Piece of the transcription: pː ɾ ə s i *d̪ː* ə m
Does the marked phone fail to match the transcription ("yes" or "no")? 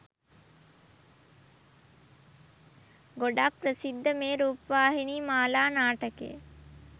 no